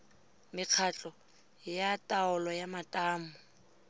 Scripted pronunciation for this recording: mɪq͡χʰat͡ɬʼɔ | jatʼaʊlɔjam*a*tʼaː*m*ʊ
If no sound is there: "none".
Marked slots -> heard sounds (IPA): a, m

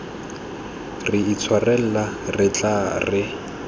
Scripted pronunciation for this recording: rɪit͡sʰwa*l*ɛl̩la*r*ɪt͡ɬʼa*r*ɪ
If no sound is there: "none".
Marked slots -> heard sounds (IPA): r, r, r

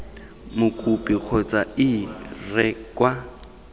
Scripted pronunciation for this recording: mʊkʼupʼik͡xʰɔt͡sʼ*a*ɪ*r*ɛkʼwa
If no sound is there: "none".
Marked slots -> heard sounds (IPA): a, r

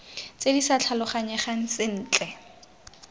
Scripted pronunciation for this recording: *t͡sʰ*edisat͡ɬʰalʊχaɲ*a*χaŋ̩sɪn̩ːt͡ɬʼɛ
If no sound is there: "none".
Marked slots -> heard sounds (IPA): t͡s, ɛ

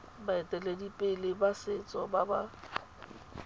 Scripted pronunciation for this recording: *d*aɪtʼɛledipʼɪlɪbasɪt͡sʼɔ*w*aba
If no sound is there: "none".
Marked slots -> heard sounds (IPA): b, b

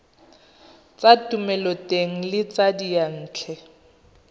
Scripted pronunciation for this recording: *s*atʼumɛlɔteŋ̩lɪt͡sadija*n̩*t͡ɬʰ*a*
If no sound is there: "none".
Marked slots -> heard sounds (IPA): t͡s, n̩ː, ɛ

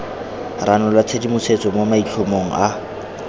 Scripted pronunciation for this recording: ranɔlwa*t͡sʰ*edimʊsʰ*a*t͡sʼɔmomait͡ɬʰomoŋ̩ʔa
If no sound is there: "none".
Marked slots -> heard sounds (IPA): t͡sʰ, e

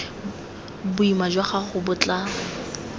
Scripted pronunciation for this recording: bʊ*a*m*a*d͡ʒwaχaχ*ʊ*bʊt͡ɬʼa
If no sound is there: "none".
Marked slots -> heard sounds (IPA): i, a, ʊ

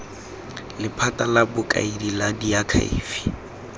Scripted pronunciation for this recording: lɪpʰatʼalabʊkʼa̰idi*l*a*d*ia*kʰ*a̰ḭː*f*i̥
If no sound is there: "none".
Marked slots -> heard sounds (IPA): l, d, kʰ, f

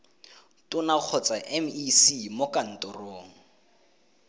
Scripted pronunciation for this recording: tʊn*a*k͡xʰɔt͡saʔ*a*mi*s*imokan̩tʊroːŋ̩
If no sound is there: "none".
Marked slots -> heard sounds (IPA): a, ɛ, s

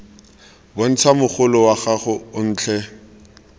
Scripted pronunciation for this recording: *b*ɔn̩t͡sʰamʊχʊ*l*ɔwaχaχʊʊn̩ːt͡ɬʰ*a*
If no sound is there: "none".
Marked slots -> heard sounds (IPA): b, l, ɛ

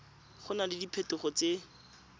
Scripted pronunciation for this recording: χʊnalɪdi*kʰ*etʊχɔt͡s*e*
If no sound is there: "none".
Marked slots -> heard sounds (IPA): pʰ, e

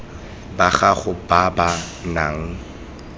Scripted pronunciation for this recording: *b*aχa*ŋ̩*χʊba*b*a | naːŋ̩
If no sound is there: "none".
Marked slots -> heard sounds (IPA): b, none, b

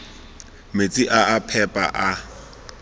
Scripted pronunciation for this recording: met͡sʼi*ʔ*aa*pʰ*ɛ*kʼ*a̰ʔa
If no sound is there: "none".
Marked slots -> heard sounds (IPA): ʔ, pʰ, pʼ

